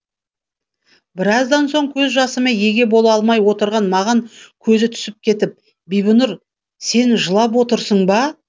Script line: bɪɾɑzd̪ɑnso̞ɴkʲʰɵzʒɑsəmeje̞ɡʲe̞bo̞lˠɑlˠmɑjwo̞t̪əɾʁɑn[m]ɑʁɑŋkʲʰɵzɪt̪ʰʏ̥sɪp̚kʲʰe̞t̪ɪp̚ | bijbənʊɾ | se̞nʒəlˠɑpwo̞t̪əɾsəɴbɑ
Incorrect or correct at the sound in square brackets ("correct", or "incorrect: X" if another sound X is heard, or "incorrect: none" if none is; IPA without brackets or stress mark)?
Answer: correct